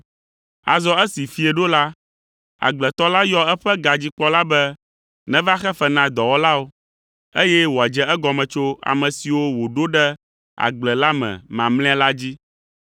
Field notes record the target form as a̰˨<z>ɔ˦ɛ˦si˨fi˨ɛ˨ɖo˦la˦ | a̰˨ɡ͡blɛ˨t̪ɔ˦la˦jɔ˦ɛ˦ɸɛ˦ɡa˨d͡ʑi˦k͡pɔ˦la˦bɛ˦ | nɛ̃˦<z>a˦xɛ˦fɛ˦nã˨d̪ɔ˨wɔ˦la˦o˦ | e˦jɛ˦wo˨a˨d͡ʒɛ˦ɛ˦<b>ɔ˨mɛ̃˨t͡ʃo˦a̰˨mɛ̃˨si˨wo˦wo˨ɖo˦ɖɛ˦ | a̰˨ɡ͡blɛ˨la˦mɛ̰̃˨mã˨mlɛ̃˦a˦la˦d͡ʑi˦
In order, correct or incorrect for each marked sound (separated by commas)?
correct, incorrect, incorrect